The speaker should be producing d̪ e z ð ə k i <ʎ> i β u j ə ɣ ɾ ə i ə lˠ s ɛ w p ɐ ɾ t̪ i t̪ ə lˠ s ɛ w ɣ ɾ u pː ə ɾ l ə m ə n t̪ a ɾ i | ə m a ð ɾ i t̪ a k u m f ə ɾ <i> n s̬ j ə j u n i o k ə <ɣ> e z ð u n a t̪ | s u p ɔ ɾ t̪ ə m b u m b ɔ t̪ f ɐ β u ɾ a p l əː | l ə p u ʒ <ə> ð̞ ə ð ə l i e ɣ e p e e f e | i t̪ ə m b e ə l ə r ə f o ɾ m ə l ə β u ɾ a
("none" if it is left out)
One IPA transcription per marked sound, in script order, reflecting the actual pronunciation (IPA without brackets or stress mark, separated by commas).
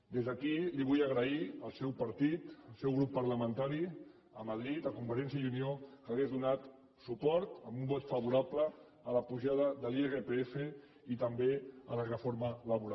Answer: l, ɛ, ɣ, a